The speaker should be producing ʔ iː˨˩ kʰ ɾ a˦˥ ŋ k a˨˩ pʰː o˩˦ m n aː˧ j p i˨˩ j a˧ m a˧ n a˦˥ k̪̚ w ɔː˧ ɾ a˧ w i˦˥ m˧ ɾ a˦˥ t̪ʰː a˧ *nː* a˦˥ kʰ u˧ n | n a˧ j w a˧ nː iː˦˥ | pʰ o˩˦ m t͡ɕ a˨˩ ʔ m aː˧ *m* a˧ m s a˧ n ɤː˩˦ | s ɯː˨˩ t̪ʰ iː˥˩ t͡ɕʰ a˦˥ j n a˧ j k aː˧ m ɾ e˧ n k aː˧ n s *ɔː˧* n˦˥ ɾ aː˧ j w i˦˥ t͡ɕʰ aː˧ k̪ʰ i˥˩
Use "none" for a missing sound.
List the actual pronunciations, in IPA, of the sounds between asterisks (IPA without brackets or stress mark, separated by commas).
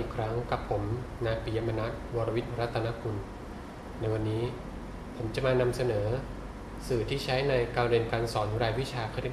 n, n, ɔː˩˦